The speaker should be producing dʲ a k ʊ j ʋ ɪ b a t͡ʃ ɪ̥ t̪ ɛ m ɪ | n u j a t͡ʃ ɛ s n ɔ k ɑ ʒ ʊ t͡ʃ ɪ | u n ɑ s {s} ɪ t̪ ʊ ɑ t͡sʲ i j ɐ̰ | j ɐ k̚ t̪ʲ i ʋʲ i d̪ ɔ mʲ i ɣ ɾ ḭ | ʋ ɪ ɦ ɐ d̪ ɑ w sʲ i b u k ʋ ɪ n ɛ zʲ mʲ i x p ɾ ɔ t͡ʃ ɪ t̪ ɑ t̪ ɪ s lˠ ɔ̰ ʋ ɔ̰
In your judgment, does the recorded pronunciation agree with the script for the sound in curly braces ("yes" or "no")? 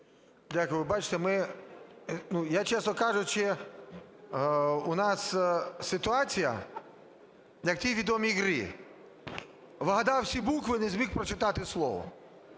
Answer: yes